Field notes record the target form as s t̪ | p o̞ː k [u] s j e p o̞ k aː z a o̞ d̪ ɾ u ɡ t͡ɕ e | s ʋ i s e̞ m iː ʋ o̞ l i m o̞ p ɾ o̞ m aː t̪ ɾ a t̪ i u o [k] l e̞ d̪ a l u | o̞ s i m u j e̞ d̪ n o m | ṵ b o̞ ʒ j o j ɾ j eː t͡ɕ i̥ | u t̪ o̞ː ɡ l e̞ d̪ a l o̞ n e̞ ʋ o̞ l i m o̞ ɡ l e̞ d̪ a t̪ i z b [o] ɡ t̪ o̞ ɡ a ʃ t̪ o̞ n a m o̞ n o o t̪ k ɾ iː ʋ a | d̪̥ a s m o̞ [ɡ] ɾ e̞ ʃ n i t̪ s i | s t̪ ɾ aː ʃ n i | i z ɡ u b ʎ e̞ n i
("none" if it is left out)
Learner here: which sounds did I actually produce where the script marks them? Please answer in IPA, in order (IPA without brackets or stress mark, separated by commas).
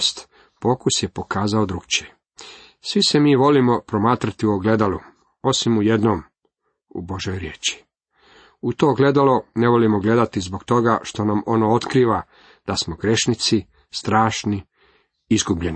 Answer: u, ɡ, o, ɡ